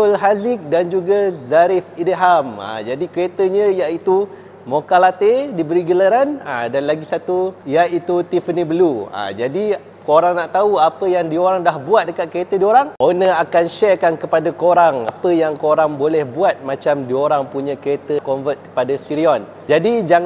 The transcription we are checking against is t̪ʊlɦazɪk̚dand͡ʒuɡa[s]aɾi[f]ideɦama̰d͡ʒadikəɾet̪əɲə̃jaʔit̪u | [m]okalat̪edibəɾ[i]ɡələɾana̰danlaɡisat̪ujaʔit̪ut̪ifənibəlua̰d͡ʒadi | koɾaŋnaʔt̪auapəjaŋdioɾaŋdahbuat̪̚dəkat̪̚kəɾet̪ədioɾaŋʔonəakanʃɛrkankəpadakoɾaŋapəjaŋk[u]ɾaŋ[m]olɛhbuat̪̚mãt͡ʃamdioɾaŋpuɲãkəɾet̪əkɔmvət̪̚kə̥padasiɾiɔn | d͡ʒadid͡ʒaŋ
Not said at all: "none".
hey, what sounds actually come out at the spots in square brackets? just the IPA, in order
z, f, m, i, o, b

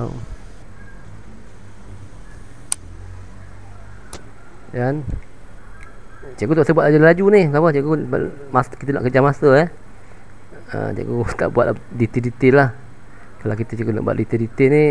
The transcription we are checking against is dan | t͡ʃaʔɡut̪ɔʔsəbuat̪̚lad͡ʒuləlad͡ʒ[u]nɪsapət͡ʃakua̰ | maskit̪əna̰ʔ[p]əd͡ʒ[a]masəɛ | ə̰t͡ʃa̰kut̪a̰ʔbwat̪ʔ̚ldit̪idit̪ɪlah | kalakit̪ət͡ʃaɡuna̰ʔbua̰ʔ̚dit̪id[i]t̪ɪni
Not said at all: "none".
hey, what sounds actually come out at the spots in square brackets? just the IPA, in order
u, k, a, i

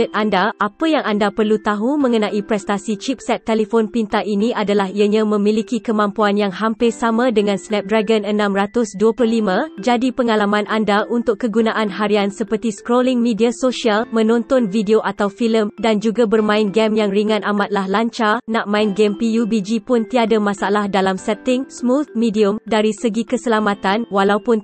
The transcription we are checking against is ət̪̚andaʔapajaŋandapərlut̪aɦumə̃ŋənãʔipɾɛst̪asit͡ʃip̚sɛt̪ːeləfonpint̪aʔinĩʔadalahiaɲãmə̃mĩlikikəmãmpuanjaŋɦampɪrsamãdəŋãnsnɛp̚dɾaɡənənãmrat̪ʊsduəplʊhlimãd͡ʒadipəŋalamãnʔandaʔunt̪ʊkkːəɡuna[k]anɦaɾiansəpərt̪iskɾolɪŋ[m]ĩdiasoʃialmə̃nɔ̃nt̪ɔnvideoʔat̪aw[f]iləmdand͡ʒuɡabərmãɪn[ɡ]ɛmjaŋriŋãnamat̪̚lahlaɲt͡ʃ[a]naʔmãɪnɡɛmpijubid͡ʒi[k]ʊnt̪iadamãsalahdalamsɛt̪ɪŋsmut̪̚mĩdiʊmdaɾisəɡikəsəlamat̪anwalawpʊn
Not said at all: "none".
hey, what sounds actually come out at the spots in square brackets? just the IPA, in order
ʔ, m, f, ɡ, a, p

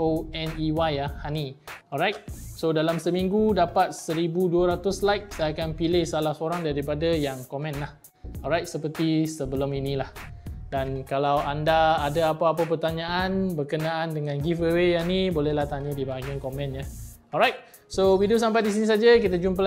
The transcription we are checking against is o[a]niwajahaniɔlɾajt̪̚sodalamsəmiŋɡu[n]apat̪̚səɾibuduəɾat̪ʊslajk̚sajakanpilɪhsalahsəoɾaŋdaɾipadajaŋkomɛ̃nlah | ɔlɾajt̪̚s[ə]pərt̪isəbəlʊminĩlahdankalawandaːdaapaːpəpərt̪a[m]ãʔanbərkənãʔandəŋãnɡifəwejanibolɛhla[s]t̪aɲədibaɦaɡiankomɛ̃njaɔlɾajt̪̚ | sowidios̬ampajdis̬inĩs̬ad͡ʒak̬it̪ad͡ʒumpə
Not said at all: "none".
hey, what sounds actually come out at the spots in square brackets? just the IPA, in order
ɛ, d, ə, ɲ, h

